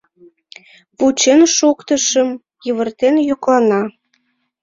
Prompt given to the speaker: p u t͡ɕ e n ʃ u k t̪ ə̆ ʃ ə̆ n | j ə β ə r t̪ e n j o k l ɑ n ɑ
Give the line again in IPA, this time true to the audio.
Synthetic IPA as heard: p u t͡ɕ e n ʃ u k t̪ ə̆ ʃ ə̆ m | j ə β ə r t̪ e n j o k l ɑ n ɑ